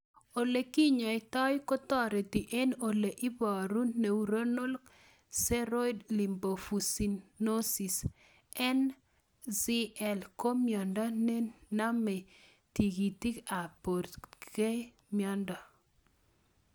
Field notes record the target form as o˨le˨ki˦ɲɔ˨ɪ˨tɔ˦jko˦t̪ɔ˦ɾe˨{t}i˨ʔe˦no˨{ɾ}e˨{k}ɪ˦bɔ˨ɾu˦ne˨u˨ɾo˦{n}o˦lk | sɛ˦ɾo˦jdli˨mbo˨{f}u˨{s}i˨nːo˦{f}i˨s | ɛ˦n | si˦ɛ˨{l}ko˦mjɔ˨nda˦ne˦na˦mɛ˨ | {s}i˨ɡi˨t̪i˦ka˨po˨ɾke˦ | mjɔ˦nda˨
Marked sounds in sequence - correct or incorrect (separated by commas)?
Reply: correct, incorrect, incorrect, correct, correct, correct, incorrect, correct, incorrect